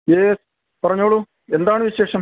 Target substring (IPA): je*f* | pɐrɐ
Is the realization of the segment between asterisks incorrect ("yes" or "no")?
yes